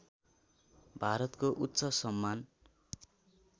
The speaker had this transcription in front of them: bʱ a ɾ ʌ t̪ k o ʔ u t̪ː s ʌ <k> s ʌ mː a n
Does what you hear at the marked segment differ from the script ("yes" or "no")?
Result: yes